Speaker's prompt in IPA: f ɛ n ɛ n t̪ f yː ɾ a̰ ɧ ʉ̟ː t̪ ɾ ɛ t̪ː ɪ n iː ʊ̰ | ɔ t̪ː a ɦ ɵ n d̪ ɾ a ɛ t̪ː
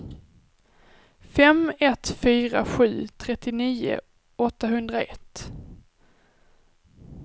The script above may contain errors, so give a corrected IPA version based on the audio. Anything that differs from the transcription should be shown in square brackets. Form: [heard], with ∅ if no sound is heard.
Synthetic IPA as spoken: f ɛ [m] ɛ [∅] t̪ f yː ɾ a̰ ɧ ʉ̟ː [t̪ʰ] ɾ ɛ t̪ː ɪ n iː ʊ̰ | ɔ t̪ː a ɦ ɵ n d̪ ɾ a ɛ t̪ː